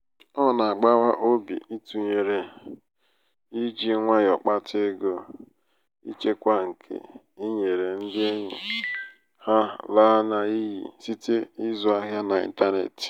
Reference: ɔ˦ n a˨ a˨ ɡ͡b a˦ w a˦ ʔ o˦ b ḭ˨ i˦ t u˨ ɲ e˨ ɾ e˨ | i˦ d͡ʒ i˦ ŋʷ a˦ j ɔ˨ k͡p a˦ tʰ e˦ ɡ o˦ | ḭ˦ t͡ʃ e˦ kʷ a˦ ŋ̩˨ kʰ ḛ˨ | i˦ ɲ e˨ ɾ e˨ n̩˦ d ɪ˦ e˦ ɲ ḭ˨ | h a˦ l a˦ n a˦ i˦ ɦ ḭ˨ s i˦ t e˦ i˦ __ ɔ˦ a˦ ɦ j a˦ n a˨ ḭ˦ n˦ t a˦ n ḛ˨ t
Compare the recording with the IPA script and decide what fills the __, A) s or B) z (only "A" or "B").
B